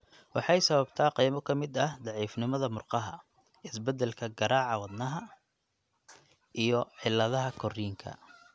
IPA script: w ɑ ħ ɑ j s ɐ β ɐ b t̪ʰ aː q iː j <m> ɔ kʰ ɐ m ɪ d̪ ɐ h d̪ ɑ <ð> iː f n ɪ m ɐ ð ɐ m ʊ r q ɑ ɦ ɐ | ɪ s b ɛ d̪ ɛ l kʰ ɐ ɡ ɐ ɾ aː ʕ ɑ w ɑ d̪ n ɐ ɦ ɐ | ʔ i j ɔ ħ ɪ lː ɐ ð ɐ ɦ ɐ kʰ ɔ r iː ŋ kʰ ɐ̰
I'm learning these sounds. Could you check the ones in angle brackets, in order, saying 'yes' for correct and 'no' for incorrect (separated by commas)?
yes, no